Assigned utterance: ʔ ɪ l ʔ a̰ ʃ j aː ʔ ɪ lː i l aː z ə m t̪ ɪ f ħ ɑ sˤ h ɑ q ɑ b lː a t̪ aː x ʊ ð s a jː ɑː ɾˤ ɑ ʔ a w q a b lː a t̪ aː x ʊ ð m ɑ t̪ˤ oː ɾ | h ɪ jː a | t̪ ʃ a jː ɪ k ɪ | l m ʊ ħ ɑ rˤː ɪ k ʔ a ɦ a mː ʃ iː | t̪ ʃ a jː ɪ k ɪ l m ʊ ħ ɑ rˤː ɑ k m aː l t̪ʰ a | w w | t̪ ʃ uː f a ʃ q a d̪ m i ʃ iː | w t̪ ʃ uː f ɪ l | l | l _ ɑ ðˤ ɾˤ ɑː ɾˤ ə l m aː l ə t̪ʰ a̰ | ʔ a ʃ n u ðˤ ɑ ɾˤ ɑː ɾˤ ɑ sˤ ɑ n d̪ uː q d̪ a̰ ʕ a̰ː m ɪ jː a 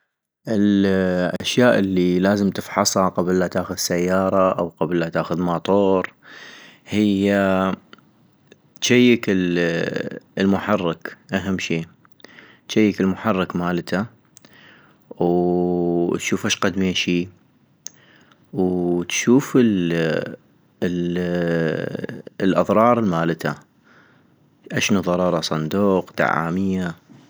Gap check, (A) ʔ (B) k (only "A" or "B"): A